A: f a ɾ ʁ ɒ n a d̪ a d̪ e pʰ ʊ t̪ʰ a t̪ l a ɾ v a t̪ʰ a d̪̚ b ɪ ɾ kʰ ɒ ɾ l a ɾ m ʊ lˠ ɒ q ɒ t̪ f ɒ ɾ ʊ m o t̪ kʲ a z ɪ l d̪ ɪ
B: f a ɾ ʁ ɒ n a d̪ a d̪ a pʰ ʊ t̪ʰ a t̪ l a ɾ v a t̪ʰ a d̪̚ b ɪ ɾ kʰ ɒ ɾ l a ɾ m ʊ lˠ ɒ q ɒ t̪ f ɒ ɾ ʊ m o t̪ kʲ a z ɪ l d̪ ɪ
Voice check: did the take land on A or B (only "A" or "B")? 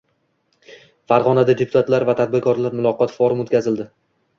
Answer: A